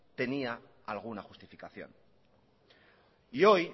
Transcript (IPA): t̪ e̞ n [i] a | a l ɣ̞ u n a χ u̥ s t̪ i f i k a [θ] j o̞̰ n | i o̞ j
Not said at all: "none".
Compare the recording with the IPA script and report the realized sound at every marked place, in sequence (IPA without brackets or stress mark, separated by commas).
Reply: i, θ